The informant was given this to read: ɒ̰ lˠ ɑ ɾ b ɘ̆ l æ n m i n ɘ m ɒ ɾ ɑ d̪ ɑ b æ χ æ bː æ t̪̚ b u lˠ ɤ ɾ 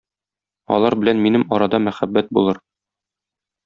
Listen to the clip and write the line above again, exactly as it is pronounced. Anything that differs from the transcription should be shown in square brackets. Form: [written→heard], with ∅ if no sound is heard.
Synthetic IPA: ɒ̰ lˠ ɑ ɾ b ɘ̆ l æ n m i n ɘ m ɒ ɾ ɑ d̪ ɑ [b→m] æ χ æ bː æ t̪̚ b u lˠ ɤ ɾ